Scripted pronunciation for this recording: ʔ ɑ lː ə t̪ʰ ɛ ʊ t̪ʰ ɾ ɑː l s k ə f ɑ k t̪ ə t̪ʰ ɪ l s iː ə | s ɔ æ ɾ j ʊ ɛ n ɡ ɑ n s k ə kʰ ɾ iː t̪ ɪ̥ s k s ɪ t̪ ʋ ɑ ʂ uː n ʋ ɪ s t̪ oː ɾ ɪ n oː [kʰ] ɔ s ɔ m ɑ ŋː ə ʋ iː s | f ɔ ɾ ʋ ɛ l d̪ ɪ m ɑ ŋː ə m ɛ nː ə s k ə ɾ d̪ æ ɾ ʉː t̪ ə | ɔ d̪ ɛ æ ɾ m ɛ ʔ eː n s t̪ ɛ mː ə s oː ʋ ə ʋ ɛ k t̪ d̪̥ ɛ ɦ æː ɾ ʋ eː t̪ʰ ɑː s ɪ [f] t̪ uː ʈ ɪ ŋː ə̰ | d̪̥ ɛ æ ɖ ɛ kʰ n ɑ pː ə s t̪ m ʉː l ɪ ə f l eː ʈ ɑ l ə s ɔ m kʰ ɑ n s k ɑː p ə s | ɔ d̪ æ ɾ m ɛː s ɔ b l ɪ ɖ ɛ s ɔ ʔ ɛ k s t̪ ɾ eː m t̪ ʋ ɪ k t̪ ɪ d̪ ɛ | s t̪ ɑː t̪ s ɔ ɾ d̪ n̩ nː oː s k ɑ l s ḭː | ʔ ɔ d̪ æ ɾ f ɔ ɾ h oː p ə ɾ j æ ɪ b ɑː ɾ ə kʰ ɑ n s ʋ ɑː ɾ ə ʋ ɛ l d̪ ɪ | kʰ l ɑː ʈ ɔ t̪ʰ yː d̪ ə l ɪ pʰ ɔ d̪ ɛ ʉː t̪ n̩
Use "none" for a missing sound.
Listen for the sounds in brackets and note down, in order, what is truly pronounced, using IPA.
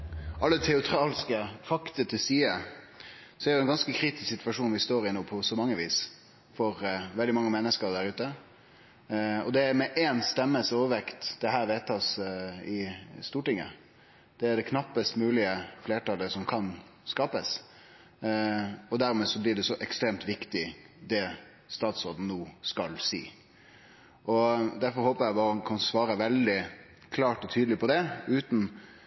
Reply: pʰ, s

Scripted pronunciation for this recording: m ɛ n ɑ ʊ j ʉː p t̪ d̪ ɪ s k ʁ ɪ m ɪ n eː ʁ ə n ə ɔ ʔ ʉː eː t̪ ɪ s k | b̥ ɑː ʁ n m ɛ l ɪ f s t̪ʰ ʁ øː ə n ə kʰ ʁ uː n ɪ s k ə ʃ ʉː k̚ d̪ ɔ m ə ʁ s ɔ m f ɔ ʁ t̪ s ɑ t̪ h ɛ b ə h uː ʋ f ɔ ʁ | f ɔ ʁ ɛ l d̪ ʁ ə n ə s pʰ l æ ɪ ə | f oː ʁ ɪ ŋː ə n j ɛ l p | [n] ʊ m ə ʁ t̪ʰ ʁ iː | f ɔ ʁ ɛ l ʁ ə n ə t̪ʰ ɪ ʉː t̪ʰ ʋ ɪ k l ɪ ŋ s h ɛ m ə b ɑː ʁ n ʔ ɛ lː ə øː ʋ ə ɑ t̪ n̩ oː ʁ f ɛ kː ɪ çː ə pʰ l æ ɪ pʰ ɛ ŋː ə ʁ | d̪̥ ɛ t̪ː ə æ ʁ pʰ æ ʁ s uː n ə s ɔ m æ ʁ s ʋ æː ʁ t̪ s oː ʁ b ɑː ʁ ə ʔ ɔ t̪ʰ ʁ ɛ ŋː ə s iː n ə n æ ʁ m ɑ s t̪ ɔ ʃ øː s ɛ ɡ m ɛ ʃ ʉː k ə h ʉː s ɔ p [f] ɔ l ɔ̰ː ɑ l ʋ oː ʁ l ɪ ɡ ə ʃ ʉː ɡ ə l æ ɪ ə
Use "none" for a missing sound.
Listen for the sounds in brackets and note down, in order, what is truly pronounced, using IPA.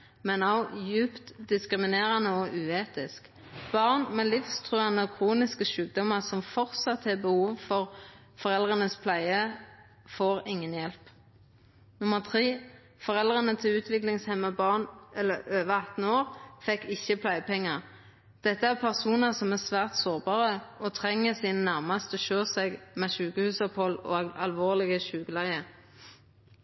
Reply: n, h

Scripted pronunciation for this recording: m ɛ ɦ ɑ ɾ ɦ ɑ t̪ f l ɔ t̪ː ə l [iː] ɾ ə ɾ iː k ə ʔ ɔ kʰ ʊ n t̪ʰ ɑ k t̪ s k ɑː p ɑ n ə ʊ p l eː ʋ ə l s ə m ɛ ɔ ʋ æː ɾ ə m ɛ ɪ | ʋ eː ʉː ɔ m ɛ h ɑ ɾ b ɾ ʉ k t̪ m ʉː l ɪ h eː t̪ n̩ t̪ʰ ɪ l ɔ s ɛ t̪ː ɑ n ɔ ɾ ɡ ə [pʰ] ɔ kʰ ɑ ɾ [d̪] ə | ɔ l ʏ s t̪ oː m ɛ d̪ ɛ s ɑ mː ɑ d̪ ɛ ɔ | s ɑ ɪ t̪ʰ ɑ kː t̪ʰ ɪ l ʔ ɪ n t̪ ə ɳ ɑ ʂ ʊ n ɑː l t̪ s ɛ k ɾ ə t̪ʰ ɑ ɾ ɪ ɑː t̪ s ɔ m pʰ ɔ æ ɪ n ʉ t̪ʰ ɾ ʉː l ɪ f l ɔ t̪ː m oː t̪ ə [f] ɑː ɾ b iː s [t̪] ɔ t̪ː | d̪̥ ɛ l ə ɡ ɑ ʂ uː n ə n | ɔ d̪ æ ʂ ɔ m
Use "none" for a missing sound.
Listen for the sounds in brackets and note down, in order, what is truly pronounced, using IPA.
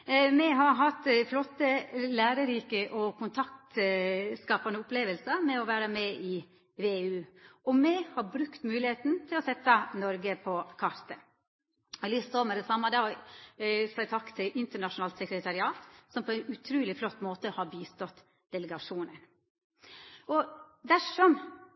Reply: æː, pʰ, t̪, h, t̪

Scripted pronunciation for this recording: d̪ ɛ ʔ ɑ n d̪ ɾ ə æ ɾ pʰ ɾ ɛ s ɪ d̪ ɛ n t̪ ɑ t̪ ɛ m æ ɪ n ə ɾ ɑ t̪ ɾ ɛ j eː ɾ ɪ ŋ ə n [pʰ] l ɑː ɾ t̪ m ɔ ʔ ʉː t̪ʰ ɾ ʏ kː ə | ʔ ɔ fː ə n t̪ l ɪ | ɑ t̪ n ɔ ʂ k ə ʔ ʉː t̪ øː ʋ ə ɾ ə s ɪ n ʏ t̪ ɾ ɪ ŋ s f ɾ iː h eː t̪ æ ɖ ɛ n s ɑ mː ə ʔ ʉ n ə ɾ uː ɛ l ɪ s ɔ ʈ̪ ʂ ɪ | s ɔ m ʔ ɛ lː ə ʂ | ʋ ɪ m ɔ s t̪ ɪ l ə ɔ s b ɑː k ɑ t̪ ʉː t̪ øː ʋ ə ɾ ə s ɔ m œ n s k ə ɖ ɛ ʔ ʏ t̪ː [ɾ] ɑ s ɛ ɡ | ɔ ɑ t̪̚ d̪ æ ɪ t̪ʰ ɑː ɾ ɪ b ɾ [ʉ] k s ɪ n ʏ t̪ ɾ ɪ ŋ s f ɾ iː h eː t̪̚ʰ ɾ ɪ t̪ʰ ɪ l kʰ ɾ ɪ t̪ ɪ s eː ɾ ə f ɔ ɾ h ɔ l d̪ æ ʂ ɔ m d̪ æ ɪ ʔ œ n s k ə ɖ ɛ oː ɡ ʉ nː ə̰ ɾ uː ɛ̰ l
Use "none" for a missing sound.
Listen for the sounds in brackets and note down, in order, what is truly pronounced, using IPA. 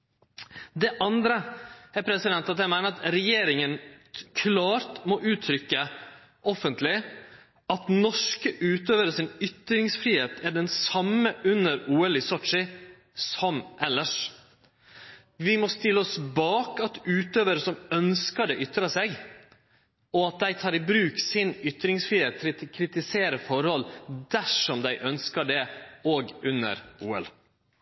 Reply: kʰ, ɾ, ʉː

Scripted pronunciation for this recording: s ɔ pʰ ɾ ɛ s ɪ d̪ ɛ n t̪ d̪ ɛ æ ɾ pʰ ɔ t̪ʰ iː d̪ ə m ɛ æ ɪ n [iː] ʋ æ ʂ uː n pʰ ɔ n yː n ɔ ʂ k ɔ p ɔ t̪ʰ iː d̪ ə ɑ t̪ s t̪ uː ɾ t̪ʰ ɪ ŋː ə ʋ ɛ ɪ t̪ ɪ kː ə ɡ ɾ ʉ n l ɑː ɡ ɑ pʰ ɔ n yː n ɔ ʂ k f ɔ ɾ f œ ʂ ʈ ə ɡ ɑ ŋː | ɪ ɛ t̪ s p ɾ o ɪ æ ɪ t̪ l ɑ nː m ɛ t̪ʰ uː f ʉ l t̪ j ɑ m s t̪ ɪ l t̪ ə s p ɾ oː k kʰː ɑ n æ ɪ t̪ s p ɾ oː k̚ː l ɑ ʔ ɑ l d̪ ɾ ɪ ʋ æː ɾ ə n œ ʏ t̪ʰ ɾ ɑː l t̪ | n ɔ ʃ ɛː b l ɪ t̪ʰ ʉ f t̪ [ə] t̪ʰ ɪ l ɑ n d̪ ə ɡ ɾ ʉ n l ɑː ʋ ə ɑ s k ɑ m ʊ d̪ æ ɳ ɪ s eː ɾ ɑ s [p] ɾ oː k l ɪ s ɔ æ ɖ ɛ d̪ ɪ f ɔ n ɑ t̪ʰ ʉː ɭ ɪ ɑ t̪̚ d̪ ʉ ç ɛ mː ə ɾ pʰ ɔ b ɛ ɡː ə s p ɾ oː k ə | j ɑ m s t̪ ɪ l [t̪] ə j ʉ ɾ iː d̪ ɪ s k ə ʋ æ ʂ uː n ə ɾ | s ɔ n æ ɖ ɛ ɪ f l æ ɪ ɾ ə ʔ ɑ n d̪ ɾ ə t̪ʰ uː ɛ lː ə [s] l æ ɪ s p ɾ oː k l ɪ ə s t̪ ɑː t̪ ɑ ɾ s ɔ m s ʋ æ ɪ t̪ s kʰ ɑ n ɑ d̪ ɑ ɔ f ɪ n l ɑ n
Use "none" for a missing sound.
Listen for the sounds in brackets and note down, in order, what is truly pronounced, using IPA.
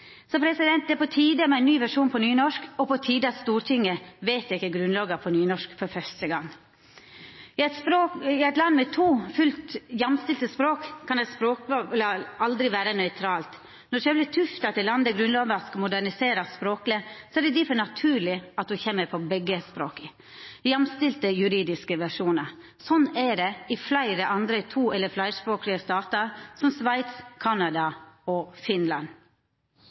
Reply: yː, ɑ, p, t̪, f

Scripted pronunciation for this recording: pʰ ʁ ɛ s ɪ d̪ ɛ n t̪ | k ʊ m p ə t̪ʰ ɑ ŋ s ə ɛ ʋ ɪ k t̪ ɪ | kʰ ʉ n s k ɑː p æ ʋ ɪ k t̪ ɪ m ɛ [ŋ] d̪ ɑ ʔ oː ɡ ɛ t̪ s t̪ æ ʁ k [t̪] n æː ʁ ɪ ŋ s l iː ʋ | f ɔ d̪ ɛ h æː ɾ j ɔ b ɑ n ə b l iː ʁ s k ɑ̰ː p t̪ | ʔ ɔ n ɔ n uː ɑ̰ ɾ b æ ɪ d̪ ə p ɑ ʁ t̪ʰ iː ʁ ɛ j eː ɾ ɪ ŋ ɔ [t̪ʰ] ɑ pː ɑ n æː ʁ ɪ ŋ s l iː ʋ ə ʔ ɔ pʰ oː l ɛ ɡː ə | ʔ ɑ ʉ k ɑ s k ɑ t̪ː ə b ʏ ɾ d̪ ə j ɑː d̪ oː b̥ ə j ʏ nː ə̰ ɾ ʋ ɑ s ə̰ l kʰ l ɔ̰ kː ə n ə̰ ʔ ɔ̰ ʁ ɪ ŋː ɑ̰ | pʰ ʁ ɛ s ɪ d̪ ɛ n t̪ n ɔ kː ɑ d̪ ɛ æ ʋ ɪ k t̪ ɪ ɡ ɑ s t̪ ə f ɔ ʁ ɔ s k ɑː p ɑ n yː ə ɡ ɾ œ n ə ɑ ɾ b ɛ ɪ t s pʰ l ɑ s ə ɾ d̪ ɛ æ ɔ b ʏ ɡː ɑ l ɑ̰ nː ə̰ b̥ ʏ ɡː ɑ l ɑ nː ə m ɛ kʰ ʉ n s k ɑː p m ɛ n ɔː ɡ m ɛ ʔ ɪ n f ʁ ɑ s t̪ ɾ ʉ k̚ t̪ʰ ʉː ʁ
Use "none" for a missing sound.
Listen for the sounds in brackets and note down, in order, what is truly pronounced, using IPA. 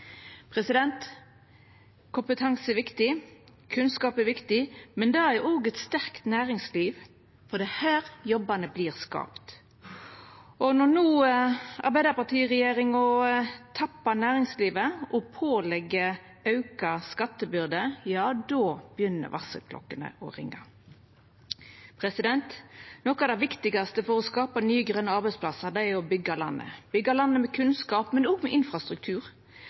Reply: n, t̪, t̪ʰ

